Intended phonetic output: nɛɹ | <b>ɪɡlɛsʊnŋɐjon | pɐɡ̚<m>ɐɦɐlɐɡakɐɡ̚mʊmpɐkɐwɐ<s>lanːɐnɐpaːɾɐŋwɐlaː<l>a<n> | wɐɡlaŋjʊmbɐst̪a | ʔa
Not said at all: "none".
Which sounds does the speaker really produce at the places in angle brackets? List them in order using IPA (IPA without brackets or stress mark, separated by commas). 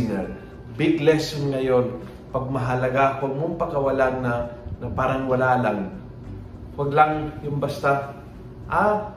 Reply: b, m, none, l, ŋ